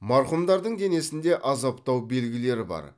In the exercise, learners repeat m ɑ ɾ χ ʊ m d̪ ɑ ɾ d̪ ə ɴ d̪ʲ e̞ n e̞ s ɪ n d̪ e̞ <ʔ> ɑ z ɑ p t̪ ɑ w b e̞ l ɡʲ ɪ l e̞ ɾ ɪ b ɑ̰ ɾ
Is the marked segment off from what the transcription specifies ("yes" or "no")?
no